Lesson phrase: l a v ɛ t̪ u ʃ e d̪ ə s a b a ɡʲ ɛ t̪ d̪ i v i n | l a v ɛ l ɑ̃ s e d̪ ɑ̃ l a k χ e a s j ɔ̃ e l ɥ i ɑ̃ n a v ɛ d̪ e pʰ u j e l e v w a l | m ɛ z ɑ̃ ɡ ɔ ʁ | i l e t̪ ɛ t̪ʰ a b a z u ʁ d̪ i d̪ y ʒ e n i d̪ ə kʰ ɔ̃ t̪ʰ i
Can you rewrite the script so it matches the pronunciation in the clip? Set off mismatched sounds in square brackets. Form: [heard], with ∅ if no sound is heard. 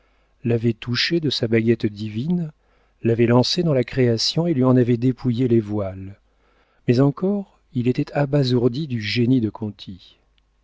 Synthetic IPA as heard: l a v ɛ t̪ u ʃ e d̪ ə s a b a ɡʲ ɛ t̪ d̪ i v i n | l a v ɛ l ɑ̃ s e d̪ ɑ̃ l a k χ e a s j ɔ̃ e l ɥ i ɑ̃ n a v ɛ d̪ e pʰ u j e l e v w a l | m ɛ z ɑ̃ [k] ɔ ʁ | i l e t̪ ɛ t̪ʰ a b a z u ʁ d̪ i d̪ y ʒ e n i d̪ ə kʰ ɔ̃ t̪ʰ i

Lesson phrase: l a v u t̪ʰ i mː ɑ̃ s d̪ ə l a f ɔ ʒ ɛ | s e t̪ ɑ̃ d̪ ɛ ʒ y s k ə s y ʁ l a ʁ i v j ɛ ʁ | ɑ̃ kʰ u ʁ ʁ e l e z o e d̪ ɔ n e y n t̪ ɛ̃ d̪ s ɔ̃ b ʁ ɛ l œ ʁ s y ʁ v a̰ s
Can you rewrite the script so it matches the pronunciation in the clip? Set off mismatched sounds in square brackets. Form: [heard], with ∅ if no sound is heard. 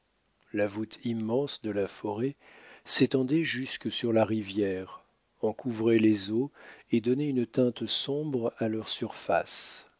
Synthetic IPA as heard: l a v u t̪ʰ i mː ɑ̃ s d̪ ə l a f ɔ [ʁ] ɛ | s e t̪ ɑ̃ d̪ ɛ ʒ y s k ə s y ʁ l a ʁ i v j ɛ ʁ | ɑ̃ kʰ u [v] ʁ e l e z o e d̪ ɔ n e y n t̪ ɛ̃ [t̪] s ɔ̃ b ʁ [a] l œ ʁ s y ʁ [f] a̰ s

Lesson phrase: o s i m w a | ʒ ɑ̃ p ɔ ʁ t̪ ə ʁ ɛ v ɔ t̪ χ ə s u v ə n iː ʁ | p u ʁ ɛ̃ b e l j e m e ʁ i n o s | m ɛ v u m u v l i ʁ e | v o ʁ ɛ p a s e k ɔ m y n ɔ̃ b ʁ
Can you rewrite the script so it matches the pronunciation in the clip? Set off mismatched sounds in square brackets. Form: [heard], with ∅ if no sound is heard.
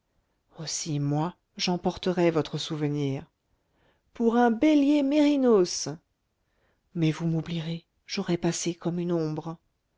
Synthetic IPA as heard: o s i m w a | ʒ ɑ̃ p ɔ ʁ t̪ ə ʁ ɛ v ɔ t̪ χ ə s u v ə n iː ʁ | p u ʁ ɛ̃ b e l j e m e ʁ i n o s | m ɛ v u m u [b] l i ʁ e | [ʒ] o ʁ ɛ p a s e k ɔ m y n ɔ̃ b ʁ

